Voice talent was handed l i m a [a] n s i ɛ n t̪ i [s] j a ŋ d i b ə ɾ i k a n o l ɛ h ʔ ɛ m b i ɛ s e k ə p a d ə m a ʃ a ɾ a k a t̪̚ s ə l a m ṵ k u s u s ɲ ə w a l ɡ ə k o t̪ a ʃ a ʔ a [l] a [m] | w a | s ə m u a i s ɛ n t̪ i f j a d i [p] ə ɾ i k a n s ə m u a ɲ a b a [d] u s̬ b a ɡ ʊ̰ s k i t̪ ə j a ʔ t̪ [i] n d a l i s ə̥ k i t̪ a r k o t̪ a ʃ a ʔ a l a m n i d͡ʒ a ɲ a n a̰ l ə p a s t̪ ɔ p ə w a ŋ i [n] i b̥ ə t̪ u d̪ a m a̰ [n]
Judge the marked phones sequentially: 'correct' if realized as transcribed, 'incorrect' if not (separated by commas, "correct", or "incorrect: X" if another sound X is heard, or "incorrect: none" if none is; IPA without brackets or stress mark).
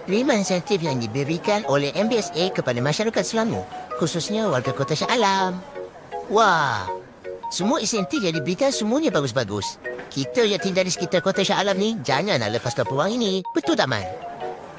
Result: incorrect: i, incorrect: f, correct, correct, incorrect: b, incorrect: ɡ, correct, correct, correct